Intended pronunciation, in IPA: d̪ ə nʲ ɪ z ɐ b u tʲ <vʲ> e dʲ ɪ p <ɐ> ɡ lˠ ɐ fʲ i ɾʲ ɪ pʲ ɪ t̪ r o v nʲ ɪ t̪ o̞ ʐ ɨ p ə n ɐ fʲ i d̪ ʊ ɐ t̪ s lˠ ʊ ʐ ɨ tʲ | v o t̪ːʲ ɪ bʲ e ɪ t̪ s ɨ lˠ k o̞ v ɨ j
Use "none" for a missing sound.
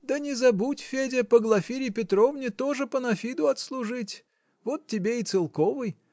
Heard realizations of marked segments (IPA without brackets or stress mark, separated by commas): fʲ, ə